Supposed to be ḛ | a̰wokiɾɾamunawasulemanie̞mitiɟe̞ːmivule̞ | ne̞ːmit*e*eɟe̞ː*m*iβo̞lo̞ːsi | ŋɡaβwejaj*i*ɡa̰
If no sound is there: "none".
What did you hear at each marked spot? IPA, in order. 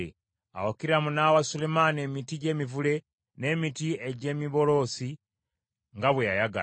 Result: i, m, a

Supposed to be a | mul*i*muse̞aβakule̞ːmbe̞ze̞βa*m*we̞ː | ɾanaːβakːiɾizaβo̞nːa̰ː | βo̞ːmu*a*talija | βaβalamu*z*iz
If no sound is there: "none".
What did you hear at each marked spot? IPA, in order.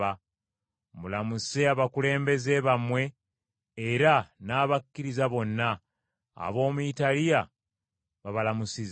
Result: a, m, i, s

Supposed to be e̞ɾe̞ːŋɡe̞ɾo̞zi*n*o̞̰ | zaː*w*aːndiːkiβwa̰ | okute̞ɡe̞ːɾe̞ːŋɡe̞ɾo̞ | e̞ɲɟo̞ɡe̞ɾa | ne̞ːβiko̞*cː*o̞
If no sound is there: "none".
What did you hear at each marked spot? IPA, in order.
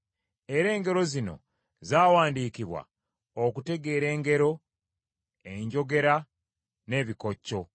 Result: n, w, cː

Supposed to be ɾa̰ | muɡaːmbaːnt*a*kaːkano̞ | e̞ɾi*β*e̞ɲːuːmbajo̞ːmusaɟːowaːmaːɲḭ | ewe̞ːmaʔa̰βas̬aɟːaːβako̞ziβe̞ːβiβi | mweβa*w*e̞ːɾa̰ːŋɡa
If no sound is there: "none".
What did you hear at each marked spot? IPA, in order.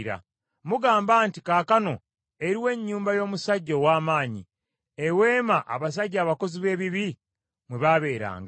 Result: i, w, β

